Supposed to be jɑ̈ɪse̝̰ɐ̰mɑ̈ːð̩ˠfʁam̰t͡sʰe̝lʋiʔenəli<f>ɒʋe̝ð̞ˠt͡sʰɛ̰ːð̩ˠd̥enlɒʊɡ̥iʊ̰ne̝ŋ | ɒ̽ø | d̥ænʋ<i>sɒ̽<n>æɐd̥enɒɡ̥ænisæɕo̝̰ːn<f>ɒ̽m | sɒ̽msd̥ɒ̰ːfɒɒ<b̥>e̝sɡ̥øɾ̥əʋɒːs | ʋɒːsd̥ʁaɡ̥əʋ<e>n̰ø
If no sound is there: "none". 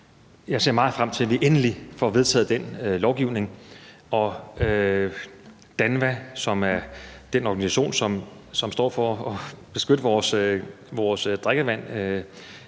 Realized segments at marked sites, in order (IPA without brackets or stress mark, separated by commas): f, æ, m, s, b̥, æ